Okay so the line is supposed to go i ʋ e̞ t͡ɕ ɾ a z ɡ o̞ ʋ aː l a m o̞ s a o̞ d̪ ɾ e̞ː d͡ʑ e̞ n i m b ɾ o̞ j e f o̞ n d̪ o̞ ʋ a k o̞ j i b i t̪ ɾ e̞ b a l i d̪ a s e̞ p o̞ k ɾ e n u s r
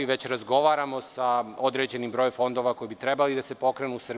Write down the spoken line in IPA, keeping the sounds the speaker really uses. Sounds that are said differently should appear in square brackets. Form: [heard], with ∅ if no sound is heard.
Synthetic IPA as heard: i ʋ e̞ t͡ɕ ɾ a z ɡ o̞ ʋ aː [ɾ] a m o̞ s a o̞ d̪ ɾ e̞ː d͡ʑ e̞ n i m b ɾ o̞ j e f o̞ n d̪ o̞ ʋ a k o̞ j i b i t̪ ɾ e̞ b a l i d̪ a s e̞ p o̞ k ɾ e n u s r